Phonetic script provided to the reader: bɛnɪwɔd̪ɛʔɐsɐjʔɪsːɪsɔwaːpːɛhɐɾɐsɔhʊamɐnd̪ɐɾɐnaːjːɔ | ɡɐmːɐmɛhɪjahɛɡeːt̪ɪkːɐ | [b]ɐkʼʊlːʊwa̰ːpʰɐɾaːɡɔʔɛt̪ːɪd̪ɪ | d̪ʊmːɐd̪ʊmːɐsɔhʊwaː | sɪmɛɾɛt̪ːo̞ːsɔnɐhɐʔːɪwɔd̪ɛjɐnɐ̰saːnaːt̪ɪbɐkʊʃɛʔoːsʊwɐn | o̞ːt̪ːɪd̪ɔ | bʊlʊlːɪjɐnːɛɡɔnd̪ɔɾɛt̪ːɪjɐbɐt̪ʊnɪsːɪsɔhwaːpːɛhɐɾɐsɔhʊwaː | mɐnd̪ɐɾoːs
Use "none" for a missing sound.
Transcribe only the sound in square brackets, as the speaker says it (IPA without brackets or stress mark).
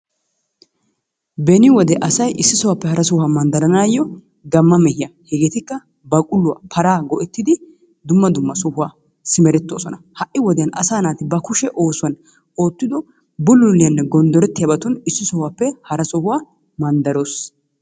b